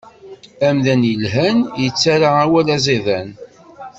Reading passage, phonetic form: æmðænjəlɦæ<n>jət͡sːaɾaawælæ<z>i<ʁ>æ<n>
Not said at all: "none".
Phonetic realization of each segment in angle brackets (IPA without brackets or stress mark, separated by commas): n, z, ð, n